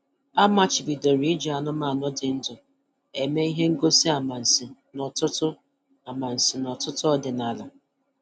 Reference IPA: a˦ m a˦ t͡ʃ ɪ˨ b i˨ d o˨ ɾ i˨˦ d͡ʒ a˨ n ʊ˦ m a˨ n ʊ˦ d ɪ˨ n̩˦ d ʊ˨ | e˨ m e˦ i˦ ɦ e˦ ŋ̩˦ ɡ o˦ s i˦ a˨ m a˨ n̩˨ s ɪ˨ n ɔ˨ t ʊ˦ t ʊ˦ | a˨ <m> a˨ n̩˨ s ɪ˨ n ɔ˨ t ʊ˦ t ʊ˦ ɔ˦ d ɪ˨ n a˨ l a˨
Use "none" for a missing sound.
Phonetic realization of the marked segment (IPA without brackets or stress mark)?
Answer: m